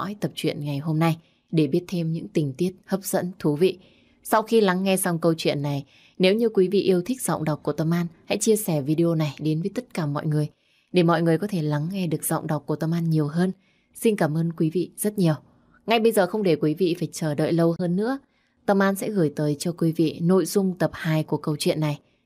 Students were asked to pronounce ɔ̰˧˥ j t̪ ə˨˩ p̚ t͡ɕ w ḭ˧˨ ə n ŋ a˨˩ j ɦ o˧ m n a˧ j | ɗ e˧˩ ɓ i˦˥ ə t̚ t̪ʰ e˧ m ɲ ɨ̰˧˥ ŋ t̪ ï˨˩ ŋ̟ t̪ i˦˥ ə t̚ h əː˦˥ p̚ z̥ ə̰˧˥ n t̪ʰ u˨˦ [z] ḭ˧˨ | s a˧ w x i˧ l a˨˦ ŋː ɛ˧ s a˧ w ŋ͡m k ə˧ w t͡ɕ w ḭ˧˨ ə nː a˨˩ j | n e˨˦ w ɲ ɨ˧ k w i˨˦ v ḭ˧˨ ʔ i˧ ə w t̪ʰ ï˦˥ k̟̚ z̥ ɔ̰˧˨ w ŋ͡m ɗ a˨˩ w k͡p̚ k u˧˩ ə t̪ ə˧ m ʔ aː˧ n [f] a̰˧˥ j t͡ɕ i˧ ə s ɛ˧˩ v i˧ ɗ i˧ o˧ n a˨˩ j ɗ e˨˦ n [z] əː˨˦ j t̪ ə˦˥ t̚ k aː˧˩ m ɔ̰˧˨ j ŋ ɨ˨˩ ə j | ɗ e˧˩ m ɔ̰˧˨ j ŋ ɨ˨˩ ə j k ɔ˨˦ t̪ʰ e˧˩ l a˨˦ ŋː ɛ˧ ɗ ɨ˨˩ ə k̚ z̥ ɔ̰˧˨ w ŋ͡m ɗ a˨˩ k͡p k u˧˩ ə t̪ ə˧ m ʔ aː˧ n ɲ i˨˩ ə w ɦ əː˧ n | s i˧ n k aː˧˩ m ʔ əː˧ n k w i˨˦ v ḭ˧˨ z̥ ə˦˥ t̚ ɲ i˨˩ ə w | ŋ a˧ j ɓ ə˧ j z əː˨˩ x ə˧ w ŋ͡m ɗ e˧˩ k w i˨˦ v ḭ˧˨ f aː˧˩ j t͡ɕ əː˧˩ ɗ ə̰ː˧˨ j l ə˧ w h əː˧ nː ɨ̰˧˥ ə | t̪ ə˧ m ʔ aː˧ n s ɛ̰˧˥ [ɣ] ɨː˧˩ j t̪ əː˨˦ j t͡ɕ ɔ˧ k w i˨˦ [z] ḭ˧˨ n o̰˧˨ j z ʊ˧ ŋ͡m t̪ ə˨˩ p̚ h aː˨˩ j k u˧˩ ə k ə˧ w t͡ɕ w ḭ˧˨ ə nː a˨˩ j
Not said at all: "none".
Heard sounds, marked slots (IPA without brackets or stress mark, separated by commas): v, h, v, ɣ, v